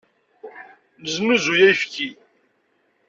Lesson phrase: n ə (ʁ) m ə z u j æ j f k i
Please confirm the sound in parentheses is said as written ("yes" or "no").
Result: no